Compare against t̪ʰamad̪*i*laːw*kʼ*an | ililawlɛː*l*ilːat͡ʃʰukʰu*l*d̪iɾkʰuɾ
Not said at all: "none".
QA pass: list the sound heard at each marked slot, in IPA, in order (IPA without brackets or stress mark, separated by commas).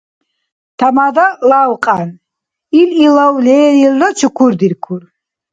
a, qʼ, ɾ, ɾ